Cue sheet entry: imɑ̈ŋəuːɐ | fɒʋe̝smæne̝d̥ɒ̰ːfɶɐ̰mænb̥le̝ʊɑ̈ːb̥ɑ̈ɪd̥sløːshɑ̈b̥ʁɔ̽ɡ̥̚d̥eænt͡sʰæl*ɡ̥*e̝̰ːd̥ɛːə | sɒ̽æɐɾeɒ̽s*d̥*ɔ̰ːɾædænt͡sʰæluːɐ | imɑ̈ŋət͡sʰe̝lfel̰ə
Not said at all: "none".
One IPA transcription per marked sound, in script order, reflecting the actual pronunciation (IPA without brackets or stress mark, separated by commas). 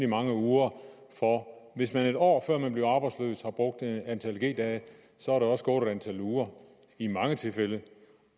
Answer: ɡ̥, ɡ̥